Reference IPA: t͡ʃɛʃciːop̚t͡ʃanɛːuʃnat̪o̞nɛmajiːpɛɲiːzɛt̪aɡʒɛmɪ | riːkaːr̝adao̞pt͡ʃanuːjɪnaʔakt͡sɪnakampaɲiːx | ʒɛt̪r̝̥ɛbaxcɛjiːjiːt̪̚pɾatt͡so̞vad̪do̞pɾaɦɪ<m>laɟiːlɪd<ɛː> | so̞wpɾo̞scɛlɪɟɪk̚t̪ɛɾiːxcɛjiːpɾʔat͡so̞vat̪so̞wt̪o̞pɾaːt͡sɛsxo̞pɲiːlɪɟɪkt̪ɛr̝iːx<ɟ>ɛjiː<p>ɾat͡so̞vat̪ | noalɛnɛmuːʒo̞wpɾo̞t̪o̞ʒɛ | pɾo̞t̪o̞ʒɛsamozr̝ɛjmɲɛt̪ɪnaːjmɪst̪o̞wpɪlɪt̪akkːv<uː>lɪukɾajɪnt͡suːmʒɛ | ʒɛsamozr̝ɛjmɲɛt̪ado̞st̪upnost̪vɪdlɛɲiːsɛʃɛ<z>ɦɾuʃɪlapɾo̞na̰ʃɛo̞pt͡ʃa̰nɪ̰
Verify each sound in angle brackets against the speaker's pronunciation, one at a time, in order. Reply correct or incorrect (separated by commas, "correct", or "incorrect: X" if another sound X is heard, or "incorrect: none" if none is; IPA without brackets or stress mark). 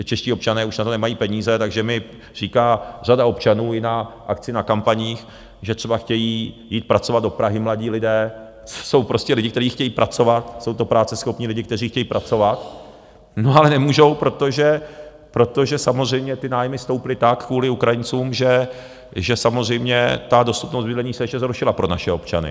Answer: correct, correct, incorrect: c, correct, correct, correct